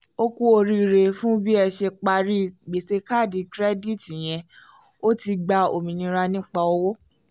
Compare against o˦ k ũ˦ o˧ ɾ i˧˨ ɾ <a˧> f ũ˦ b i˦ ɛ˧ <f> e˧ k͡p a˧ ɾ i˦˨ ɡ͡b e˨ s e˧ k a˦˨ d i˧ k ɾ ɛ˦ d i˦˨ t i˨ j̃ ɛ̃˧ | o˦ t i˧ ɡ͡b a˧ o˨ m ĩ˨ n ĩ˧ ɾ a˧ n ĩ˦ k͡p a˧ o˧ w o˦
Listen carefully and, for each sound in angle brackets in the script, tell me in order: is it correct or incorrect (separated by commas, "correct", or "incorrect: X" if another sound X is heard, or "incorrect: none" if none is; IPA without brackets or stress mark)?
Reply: incorrect: e˧, incorrect: ʃ